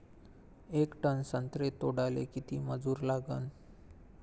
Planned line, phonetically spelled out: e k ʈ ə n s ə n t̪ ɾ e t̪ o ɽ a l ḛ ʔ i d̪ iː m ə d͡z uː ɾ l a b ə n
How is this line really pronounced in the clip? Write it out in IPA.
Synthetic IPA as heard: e k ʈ ə n s ə n t̪ ɾ e t̪ o ɽ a l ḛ k i t̪ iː m ə d͡z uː ɾ l a ɡ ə n